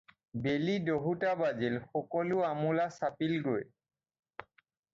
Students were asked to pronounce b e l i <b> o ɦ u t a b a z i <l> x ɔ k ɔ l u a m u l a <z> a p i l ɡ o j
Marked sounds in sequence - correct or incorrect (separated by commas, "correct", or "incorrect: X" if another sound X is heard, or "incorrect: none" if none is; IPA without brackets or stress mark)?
incorrect: d, correct, incorrect: s